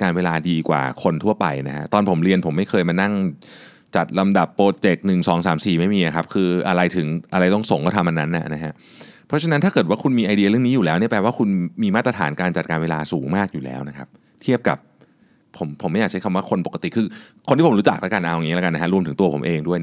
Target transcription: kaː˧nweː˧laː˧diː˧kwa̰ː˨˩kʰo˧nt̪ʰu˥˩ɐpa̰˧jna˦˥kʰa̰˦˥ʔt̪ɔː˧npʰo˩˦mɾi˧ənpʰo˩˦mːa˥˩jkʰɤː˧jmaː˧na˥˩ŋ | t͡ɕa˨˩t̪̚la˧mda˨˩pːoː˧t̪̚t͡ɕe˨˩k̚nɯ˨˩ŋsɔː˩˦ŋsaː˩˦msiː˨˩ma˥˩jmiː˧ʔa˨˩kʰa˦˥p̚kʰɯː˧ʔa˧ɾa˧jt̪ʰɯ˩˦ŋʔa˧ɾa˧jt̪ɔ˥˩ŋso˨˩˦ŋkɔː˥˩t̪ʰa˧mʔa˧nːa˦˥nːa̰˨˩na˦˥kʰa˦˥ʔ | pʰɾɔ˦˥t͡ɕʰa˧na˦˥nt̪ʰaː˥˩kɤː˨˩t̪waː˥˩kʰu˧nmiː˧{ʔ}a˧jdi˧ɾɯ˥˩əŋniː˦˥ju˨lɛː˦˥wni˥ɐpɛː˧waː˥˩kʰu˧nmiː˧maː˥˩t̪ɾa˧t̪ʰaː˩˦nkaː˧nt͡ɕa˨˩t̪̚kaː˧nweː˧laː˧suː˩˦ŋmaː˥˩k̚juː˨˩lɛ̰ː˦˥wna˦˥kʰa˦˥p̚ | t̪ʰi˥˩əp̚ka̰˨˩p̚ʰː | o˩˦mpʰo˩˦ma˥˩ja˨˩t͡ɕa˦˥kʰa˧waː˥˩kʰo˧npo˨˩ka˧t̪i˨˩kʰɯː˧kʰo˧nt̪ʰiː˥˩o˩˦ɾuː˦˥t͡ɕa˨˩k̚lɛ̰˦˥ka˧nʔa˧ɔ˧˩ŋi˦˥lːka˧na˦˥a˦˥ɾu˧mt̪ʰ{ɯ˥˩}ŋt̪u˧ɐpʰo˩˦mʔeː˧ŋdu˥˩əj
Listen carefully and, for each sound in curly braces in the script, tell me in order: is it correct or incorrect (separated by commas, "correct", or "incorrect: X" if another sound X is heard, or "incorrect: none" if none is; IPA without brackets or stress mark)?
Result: correct, incorrect: ɯ˩˦